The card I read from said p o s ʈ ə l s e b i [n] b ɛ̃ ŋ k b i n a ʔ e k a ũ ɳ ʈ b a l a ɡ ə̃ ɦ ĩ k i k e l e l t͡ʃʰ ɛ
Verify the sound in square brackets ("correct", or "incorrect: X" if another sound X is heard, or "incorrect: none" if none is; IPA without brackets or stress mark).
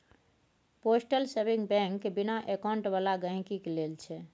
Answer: incorrect: ŋ